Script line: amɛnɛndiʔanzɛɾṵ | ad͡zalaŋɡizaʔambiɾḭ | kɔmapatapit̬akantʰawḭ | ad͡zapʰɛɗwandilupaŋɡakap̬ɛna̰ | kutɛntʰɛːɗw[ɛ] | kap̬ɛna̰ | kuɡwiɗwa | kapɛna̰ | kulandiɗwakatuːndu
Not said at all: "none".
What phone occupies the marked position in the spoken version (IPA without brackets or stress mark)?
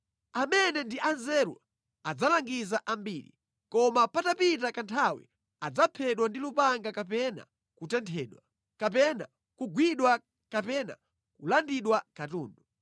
a